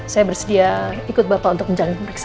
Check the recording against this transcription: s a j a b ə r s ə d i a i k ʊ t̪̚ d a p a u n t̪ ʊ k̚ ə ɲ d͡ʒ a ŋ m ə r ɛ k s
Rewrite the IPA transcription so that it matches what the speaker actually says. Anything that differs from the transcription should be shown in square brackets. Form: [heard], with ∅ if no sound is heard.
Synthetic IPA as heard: s a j a b ə r s ə d i a i k ʊ t̪̚ [b] a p a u n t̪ ʊ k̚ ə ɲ d͡ʒ a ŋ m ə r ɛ k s

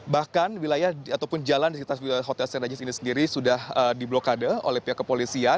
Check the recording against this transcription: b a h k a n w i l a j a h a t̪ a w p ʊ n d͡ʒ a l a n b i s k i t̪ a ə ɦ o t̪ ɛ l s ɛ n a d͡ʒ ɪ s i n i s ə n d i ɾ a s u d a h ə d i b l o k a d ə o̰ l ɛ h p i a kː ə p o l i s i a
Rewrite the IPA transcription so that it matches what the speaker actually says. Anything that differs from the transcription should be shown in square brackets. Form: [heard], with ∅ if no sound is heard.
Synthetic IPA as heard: b a h k a n w i l a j a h a t̪ a w p ʊ n d͡ʒ a l a n [d] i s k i t̪ a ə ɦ o t̪ ɛ l s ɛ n a d͡ʒ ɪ s i n i s ə n d i ɾ [i] s u d a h ə d i b l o k a d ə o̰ l ɛ h p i a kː ə p o l i s i a

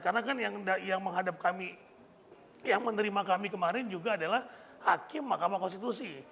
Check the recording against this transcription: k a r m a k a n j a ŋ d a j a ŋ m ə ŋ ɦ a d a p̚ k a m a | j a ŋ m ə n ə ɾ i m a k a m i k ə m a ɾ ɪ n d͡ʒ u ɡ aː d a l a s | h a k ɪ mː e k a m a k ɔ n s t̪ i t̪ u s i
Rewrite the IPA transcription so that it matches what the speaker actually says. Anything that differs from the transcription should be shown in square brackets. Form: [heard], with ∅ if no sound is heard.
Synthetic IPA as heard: k a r [n] a k a n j a ŋ d a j a ŋ m ə ŋ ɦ a d a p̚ k a m [i] | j a ŋ m ə n ə ɾ i m a k a m i k ə m a ɾ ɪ n d͡ʒ u ɡ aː d a l a [h] | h a k ɪ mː [a] k a m a k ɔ n s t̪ i t̪ u s i

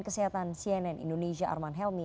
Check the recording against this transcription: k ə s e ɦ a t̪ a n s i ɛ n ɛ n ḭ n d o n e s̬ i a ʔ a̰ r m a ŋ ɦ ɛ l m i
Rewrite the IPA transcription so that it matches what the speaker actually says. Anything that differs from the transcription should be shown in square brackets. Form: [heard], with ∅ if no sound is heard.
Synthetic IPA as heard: k ə s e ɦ a t̪ a n s i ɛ n ɛ n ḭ n d o n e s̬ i a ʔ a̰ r m a [n] ɦ ɛ l m i

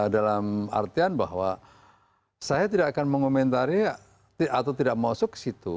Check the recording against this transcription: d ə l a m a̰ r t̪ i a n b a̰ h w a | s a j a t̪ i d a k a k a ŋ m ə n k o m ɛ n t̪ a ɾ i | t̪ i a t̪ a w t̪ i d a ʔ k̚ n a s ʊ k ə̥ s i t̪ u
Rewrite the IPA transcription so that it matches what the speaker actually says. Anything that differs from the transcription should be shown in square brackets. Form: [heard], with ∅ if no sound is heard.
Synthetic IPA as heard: d [a] l a m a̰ r t̪ i a n b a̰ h w a | s a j a t̪ i d a k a k a [n] m ə [ŋ] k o m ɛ n t̪ a ɾ i | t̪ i a t̪ a w t̪ i d a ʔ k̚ [m] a s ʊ k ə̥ s i t̪ u

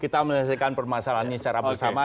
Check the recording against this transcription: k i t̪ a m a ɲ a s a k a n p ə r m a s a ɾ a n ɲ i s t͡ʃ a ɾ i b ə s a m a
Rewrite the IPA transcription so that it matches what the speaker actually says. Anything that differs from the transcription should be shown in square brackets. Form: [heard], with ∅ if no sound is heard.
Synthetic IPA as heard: k i t̪ a m [ə] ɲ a s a k a n p ə r m a s a [l] a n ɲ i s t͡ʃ a ɾ [a] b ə s a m a

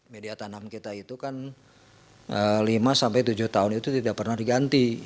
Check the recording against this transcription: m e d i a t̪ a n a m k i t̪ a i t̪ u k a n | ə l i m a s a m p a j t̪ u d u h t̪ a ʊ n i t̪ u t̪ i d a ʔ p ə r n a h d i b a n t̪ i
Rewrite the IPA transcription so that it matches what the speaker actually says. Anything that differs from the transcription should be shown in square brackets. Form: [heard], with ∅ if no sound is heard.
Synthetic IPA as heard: m e d i a t̪ a n a m k i t̪ a i t̪ u k a n | ə l i m a s a m p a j t̪ u [d͡ʒ] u h t̪ a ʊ n i t̪ u t̪ i d a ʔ p ə r n a h d i [ɡ] a n t̪ i

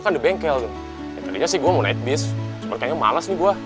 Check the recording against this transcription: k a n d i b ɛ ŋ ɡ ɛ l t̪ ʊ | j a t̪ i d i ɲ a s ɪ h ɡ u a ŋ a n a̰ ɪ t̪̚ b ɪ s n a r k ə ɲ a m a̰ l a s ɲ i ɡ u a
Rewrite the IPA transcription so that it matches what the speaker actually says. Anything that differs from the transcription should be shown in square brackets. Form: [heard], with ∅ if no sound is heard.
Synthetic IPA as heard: k a n d i b ɛ ŋ [k] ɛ l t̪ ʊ | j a t̪ [a] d i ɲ a s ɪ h ɡ u a [m] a n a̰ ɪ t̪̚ b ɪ s [m] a r k [a] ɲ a m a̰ l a s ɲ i ɡ u a

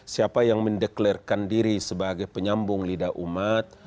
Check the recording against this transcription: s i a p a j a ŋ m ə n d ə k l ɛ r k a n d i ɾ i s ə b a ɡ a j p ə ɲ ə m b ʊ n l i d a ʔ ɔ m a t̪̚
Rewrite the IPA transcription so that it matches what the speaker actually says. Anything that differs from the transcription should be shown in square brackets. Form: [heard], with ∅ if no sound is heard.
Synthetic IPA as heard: s i a p a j a ŋ m ə n d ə k l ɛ r k a n d i ɾ i s ə b a ɡ a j p ə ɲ [a] m b ʊ [ŋ] l i d a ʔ [u] m a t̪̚

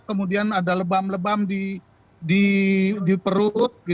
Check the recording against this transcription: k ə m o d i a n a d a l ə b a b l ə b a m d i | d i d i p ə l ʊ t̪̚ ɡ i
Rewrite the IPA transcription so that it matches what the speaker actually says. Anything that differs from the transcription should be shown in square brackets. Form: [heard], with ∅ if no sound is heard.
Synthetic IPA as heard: k ə m [u] d i a n a d a l ə b a [m] l ə b a m d i | d i d i p ə [ɾ] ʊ t̪̚ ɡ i

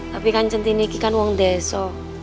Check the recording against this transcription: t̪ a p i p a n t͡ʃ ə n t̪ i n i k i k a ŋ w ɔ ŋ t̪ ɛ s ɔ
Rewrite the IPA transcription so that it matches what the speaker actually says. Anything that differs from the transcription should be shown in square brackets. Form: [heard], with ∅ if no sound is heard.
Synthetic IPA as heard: t̪ a p i [k] a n t͡ʃ ə n t̪ i n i k i k a [n] w ɔ ŋ [d̪] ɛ s ɔ

